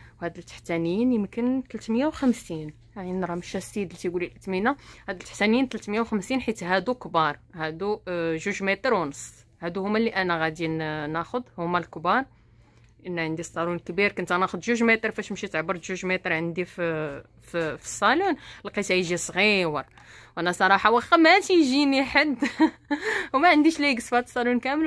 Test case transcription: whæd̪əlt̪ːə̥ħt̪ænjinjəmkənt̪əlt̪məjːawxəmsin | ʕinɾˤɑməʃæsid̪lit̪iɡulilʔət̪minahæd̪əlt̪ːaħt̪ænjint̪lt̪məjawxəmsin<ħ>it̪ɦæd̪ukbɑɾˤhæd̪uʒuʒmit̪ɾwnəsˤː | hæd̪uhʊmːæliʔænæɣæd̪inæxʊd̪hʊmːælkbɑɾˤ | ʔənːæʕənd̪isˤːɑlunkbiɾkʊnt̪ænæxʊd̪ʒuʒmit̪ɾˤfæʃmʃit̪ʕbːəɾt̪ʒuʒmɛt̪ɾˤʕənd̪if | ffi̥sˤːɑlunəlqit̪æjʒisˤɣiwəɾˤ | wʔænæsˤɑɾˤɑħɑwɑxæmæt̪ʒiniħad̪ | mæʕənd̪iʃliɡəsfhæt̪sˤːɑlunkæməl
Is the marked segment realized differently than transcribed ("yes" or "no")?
no